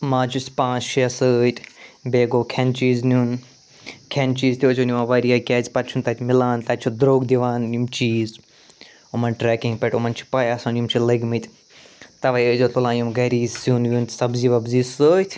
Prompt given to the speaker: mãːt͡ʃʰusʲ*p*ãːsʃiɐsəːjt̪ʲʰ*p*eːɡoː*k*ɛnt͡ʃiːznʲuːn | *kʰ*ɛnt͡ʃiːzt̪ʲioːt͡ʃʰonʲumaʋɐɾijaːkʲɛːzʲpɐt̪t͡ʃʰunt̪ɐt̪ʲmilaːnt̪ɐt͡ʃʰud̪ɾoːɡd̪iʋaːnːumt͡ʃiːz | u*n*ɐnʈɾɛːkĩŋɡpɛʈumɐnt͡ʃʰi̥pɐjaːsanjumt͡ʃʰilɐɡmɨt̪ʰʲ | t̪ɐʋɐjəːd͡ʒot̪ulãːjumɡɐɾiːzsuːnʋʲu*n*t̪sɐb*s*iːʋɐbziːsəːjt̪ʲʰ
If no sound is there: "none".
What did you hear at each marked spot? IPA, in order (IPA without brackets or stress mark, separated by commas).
p, b, kʰ, kʰ, m, n, z